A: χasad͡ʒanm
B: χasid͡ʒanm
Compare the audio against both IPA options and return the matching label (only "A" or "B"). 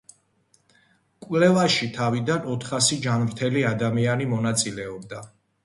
B